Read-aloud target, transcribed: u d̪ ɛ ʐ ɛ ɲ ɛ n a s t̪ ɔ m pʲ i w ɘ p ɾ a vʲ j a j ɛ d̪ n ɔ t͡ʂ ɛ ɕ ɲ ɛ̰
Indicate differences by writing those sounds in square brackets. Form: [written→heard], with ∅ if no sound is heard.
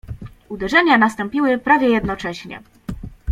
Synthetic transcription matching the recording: u d̪ ɛ ʐ ɛ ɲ [ɛ→a] n a s t̪ ɔ m pʲ i w ɘ p ɾ a vʲ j [a→ɛ] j ɛ d̪ n ɔ t͡ʂ ɛ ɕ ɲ ɛ̰